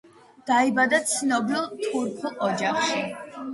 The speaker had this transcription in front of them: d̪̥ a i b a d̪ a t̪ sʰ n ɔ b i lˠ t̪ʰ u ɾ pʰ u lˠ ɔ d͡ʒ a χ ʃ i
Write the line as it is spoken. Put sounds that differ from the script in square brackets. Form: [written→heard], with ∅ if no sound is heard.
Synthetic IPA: d̪̥ a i b a d̪ a t̪ sʰ n ɔ b i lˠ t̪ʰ u ɾ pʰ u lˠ ɔ d͡ʒ a χ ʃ i

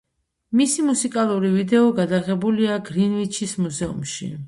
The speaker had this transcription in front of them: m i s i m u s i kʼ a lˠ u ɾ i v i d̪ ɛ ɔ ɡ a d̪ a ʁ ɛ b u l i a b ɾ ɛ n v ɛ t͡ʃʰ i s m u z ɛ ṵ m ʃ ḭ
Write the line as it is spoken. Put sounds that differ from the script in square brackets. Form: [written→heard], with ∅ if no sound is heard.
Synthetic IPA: m i s i m u s i kʼ a lˠ u ɾ i v i d̪ ɛ ɔ ɡ a d̪ a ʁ ɛ b u l i a [b→ɡ] ɾ [ɛ→i] n v [ɛ→i] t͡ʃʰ i s m u z ɛ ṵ m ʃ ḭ

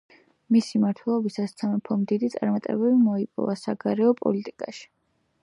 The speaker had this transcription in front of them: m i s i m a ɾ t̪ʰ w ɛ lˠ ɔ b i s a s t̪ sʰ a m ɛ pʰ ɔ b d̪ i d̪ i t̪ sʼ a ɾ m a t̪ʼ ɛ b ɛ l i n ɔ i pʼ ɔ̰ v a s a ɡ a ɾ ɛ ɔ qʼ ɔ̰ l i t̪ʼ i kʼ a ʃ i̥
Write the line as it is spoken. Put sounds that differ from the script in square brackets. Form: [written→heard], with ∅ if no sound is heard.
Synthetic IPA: m i s i m a ɾ t̪ʰ w ɛ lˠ ɔ b i s a s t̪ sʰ a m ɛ pʰ ɔ [b→m] d̪ i d̪ i t̪ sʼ a ɾ m a t̪ʼ ɛ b ɛ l i [n→m] ɔ i pʼ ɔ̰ v a s a ɡ a ɾ ɛ ɔ [qʼ→pʼ] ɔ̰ l i t̪ʼ i kʼ a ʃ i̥

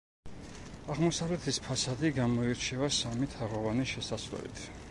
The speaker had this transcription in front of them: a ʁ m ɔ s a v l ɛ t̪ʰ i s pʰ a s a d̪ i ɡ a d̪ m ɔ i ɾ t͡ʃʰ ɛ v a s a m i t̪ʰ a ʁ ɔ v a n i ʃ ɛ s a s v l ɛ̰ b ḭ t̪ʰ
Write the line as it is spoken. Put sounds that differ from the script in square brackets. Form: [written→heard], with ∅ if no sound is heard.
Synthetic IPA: a ʁ m ɔ s a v l ɛ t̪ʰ i s pʰ a s a d̪ i ɡ a [d̪→∅] m ɔ i ɾ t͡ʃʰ ɛ v a s a m i t̪ʰ a ʁ ɔ v a n i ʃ ɛ s a s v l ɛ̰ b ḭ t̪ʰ

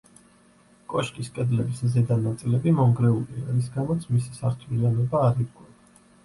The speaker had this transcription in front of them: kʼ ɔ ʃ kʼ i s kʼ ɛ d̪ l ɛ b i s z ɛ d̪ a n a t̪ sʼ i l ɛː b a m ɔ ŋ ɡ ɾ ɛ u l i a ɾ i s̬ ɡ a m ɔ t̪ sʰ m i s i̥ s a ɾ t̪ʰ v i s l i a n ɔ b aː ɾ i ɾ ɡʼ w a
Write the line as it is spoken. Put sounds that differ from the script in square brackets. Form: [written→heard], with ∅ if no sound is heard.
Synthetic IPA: kʼ ɔ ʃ kʼ i s kʼ ɛ d̪ l ɛ b i s z ɛ d̪ a n a t̪ sʼ i l [ɛː→ɛ] b [a→i] m ɔ ŋ ɡ ɾ ɛ u l i a ɾ i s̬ ɡ a m ɔ t̪ sʰ m i s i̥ s a ɾ t̪ʰ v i [s→∅] l i a n ɔ b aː ɾ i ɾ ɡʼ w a

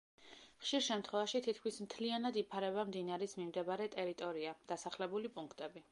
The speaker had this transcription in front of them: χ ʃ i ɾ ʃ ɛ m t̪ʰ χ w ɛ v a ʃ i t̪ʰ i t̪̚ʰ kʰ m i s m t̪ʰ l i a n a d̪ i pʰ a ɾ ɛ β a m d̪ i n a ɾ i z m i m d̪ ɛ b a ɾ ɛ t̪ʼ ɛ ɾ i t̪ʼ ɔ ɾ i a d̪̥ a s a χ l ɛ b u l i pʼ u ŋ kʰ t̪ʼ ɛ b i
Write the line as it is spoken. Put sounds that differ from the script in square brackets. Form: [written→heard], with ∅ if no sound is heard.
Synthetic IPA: χ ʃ i ɾ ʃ ɛ m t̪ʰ χ w ɛ v a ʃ i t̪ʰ i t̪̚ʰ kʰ m i s m t̪ʰ l i a n a d̪ i pʰ a ɾ ɛ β a m d̪ i n a ɾ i [z→s] m i m d̪ ɛ b a ɾ ɛ t̪ʼ ɛ ɾ i t̪ʼ ɔ ɾ i a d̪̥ a s a χ l ɛ b u l i pʼ u ŋ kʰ t̪ʼ ɛ b i

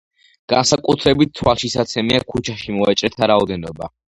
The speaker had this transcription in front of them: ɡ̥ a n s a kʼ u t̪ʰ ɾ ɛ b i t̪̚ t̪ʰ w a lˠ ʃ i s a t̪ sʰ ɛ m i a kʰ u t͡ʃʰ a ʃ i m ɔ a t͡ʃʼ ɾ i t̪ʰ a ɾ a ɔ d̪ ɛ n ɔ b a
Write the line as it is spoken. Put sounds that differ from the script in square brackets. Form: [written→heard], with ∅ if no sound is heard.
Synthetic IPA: ɡ̥ a n s a kʼ u t̪ʰ ɾ ɛ b i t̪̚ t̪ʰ w a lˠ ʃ i s a t̪ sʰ ɛ m i a kʰ u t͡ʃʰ a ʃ i m ɔ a t͡ʃʼ ɾ [i→ɛ] t̪ʰ a ɾ a ɔ d̪ ɛ n ɔ b a

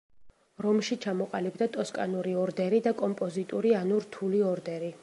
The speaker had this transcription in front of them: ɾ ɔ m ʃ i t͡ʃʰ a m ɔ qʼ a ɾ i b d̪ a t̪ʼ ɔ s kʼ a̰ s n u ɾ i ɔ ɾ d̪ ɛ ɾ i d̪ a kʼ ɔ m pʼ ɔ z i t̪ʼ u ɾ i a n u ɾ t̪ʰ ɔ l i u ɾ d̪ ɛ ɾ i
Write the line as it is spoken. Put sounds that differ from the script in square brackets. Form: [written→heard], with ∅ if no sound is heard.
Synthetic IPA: ɾ ɔ m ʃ i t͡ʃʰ a m ɔ qʼ a [ɾ→l] i b d̪ a t̪ʼ ɔ s kʼ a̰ [s→∅] n u ɾ i ɔ ɾ d̪ ɛ ɾ i d̪ a kʼ ɔ m pʼ ɔ z i t̪ʼ u ɾ i a n u ɾ t̪ʰ [ɔ→u] l i [u→ɔ] ɾ d̪ ɛ ɾ i

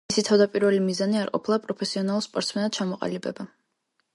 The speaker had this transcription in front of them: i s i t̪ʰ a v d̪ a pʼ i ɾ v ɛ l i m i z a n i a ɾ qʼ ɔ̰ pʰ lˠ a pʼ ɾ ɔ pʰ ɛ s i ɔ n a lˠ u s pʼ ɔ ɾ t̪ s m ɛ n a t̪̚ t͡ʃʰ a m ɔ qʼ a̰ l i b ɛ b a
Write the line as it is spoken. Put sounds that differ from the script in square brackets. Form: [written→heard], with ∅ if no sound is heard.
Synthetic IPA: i s i t̪ʰ a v d̪ a pʼ i ɾ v ɛ l i m i z a n i a ɾ qʼ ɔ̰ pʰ lˠ a pʼ ɾ ɔ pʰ ɛ s i ɔ n a lˠ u s pʼ ɔ ɾ t̪ s m ɛ n a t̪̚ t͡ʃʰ a m ɔ qʼ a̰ l i b ɛ b a

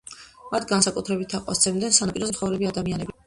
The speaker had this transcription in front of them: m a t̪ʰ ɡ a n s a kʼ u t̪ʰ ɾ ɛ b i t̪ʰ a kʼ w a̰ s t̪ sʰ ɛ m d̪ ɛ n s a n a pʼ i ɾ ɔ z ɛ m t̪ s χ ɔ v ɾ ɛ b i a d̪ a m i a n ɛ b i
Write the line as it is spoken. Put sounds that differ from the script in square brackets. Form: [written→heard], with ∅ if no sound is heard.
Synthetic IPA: m a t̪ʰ ɡ a n s a kʼ u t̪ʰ ɾ ɛ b i t̪ʰ a [kʼ→qʼ] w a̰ s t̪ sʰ ɛ m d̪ ɛ n s a n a pʼ i ɾ ɔ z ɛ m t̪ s χ ɔ v ɾ ɛ b i a d̪ a m i a n ɛ b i

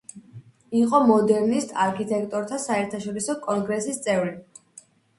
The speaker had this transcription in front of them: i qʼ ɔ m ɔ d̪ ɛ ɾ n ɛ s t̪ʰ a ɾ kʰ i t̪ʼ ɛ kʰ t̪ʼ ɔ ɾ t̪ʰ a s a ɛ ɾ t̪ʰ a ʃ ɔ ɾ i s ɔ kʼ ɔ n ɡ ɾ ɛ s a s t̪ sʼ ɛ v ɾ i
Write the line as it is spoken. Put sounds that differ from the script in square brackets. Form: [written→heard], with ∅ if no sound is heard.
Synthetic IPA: i qʼ ɔ m ɔ d̪ ɛ ɾ n [ɛ→i] s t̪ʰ a ɾ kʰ i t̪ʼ ɛ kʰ t̪ʼ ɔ ɾ t̪ʰ a s a ɛ ɾ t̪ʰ a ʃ ɔ ɾ i s ɔ kʼ ɔ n ɡ ɾ ɛ s [a→i] s t̪ sʼ ɛ v ɾ i

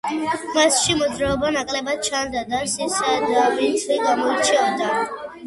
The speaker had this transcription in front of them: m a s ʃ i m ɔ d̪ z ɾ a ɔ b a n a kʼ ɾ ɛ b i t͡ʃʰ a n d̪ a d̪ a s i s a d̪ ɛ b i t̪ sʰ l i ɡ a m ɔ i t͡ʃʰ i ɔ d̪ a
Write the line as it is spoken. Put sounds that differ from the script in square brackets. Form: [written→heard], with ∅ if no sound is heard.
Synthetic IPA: m a s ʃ i m ɔ d̪ z ɾ a ɔ b a n a kʼ [ɾ→l] ɛ b [i→a] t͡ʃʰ a n d̪ a d̪ a s i s a d̪ [ɛ→a] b i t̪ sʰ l i ɡ a m ɔ i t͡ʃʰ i ɔ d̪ a

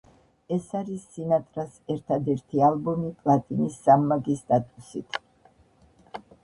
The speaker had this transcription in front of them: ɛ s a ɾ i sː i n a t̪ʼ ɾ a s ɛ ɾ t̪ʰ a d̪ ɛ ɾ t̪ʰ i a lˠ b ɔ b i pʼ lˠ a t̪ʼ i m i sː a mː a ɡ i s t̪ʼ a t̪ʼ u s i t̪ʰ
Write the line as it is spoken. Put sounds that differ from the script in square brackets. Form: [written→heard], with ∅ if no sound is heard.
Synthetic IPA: ɛ s a ɾ i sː i n a t̪ʼ ɾ a s ɛ ɾ t̪ʰ a d̪ ɛ ɾ t̪ʰ i a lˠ b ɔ [b→m] i pʼ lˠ a t̪ʼ i [m→n] i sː a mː a ɡ i s t̪ʼ a t̪ʼ u s i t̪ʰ

